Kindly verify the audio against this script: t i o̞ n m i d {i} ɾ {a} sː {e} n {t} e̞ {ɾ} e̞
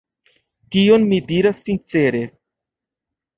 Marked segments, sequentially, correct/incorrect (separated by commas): correct, correct, incorrect, incorrect, correct